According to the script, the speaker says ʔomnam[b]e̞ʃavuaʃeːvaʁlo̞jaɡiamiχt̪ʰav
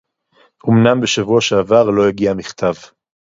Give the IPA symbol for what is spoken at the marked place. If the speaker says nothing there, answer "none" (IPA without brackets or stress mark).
b